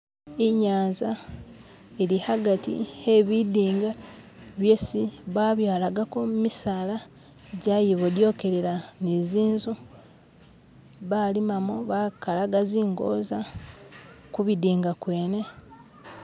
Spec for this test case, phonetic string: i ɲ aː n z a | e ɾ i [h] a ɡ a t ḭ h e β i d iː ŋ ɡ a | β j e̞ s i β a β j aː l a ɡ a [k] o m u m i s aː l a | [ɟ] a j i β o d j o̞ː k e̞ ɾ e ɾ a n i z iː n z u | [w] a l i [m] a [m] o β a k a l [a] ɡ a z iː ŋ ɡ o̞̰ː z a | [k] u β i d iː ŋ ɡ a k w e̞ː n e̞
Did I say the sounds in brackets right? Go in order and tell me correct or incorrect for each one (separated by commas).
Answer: correct, correct, correct, incorrect, correct, correct, correct, correct